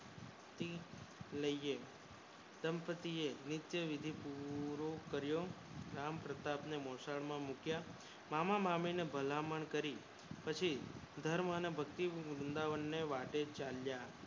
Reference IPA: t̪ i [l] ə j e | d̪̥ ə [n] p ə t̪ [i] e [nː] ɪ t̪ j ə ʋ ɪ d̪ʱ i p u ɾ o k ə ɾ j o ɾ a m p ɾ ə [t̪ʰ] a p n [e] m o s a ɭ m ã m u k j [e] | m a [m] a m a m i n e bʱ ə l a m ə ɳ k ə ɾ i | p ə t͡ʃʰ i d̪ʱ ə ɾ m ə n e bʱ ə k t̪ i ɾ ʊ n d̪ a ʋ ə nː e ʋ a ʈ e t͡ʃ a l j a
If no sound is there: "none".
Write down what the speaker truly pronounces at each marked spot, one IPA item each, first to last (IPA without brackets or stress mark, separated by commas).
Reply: l, m, i, n, t̪, e, a, m